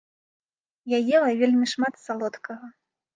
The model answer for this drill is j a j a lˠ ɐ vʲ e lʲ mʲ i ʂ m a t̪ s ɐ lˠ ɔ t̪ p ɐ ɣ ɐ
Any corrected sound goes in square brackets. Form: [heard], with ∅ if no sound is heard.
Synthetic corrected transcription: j a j [ɛ] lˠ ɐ vʲ e lʲ mʲ i ʂ m a t̪ s [a] lˠ ɔ t̪ [k] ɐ ɣ ɐ